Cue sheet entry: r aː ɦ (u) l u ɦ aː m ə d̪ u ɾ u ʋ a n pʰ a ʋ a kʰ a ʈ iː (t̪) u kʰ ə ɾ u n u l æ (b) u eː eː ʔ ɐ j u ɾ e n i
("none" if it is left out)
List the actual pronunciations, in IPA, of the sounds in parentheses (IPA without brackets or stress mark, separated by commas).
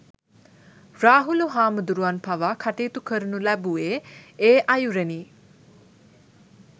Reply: u, t̪, b